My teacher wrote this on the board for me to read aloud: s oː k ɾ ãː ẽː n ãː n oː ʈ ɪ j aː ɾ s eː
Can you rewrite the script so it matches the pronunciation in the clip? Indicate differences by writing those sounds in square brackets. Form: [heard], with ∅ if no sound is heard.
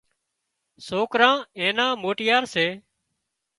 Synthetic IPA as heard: s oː k ɾ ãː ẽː n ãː [m] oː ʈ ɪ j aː ɾ s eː